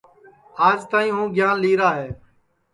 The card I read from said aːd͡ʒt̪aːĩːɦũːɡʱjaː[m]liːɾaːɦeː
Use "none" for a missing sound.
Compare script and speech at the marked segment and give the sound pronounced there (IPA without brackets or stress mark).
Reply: n